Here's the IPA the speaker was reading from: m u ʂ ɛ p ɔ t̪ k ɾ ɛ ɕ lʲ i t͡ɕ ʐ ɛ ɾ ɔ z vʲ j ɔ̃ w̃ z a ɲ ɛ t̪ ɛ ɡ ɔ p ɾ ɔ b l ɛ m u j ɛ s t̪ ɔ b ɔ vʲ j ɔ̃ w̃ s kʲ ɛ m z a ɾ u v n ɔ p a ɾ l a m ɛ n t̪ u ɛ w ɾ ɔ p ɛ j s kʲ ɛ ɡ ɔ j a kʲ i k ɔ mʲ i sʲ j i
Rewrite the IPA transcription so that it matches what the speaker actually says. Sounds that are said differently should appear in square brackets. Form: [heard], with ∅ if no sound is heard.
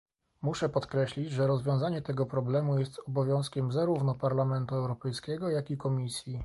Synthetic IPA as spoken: m u ʂ ɛ p ɔ t̪ k ɾ ɛ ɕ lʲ i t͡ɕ ʐ ɛ ɾ ɔ z vʲ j ɔ̃ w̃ z a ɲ ɛ t̪ ɛ ɡ ɔ p ɾ ɔ b l ɛ m u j ɛ s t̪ ɔ b ɔ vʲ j ɔ̃ w̃ s kʲ ɛ m z a ɾ u v n ɔ p a ɾ l a m ɛ n t̪ u ɛ w ɾ ɔ p ɛ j s kʲ ɛ ɡ ɔ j a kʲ i k ɔ mʲ i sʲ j i